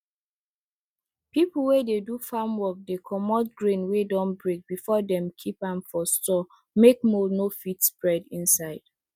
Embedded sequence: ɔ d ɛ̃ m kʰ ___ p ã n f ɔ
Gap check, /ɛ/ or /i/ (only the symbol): i